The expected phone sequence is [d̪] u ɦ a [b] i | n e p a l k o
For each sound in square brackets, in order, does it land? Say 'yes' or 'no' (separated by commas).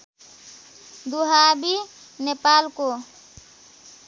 yes, yes